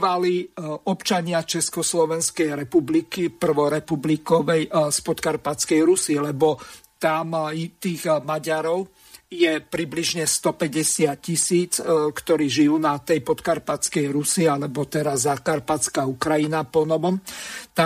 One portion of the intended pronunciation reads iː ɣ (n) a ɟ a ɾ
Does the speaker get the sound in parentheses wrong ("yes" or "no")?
yes